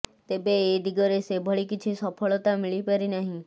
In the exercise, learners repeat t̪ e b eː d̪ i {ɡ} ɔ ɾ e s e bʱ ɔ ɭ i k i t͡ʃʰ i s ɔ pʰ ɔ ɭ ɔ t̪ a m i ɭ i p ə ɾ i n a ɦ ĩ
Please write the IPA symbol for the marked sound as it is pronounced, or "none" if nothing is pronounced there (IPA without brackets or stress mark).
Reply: ɡ